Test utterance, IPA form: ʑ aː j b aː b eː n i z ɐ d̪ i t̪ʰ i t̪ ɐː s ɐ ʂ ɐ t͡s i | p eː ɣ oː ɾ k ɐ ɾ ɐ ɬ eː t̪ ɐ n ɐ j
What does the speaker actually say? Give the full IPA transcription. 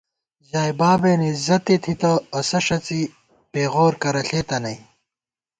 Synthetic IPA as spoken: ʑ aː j b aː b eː n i z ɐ t̪ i t̪ʰ i t̪ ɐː s ɐ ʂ ɐ t͡s i | p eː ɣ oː ɾ k ɐ ɾ ɐ ɬ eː t̪ ɐ n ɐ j